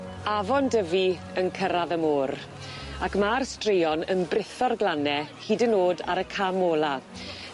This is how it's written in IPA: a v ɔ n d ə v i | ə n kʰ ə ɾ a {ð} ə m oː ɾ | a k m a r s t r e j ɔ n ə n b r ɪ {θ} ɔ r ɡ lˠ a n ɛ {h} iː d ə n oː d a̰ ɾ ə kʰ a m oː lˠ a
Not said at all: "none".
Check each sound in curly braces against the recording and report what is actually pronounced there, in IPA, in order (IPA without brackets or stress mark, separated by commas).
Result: ð, θ, h